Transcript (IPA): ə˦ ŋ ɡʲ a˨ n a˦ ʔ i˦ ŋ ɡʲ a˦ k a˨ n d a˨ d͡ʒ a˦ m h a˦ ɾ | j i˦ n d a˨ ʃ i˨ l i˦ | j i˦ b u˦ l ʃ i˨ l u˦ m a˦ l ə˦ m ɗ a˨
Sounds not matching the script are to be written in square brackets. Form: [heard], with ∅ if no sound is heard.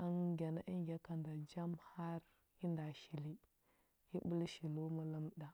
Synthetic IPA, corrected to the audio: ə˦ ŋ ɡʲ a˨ n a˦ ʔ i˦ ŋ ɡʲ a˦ k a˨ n d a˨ d͡ʒ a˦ m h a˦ ɾ | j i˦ n d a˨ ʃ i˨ l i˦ | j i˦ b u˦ l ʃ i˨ l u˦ m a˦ l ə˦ m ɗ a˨